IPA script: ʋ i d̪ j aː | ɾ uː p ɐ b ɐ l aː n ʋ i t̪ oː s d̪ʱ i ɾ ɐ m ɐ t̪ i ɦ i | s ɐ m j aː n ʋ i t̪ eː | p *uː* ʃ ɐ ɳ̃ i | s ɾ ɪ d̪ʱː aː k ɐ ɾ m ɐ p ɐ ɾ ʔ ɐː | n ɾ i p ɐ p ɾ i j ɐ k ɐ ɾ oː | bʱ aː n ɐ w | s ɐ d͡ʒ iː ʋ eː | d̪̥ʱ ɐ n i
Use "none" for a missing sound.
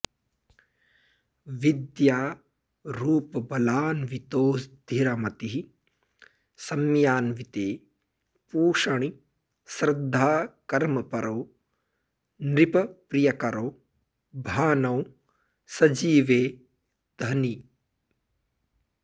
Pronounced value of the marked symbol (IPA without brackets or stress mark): uː